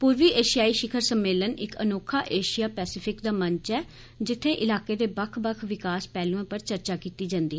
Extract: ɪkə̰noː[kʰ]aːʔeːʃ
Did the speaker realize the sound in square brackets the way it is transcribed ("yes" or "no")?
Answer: yes